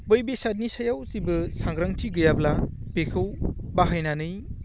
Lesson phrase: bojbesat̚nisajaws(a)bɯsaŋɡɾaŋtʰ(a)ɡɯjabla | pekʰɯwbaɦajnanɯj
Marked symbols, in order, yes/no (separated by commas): no, no